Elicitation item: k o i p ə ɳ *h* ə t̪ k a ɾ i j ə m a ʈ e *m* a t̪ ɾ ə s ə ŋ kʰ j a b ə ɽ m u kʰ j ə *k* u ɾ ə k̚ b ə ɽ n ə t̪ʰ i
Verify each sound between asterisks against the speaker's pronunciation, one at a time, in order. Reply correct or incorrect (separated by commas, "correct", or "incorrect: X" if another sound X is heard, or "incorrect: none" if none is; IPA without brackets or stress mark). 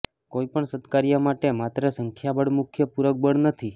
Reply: incorrect: s, correct, incorrect: p